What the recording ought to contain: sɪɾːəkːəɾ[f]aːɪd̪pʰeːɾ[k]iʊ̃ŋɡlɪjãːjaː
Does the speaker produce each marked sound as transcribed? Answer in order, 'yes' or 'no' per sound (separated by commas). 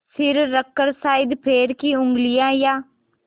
no, yes